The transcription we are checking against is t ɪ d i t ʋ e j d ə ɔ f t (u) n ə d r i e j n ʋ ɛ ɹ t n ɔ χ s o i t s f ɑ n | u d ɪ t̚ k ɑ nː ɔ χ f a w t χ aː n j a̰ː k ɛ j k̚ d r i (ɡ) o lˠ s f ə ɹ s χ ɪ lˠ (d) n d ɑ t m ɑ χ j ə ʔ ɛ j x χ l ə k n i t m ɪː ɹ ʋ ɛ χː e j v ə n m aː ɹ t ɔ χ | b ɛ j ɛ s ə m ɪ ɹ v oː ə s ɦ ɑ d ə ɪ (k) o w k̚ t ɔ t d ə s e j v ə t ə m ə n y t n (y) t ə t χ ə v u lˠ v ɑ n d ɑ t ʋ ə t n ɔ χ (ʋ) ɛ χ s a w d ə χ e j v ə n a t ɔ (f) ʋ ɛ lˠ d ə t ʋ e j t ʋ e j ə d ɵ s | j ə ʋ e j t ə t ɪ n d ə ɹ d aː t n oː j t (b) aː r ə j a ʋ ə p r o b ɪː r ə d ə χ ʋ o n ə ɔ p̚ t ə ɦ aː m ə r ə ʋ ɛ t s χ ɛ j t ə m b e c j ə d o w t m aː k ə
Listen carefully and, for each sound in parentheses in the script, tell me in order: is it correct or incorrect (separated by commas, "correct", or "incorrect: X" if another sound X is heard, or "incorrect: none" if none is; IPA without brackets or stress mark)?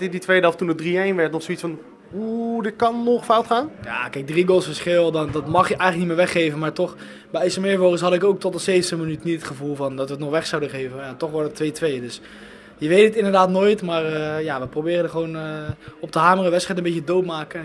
correct, correct, correct, correct, incorrect: i, correct, incorrect: χ, incorrect: m